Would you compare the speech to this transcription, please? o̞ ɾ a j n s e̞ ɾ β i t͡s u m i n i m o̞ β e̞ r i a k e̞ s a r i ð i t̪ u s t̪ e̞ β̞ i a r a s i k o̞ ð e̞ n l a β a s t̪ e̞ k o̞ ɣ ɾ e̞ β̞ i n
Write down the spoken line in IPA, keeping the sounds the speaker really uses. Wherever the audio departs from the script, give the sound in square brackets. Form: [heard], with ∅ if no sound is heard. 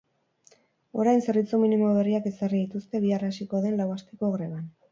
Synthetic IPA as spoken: o̞ ɾ a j n s e̞ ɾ β i t͡s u m i n i m o̞ β e̞ r i a k e̞ s a r i ð i t̪ u s t̪ e̞ β̞ i a r a s i k o̞ ð e̞ n l a [w] a s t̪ e̞ k o̞ ɣ ɾ e̞ β̞ [a] n